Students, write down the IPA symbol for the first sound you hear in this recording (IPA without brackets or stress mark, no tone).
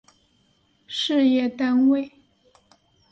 ʂ